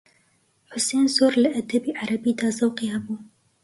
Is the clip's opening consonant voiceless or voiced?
voiceless